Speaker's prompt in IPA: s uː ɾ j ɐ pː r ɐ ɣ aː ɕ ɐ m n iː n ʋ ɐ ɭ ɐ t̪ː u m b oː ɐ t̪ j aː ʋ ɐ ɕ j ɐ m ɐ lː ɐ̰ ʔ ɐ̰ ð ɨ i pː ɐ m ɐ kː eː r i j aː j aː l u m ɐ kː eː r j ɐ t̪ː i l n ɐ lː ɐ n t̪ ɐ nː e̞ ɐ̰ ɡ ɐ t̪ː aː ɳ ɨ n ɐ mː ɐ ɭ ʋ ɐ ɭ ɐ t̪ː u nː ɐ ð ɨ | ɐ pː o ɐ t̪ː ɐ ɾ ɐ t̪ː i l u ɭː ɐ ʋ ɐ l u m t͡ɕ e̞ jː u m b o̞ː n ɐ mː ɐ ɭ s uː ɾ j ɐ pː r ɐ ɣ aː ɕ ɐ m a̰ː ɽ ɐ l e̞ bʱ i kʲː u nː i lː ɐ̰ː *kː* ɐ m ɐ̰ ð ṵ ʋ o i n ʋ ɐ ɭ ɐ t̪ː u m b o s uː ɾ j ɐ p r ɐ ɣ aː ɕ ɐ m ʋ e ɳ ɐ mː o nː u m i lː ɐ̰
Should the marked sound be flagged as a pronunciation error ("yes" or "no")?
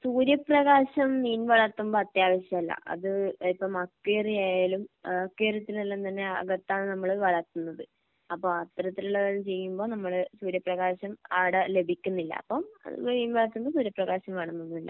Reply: yes